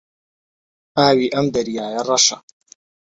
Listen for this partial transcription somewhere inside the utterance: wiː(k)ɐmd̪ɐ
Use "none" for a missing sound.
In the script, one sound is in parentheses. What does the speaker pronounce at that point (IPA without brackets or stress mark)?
ʔ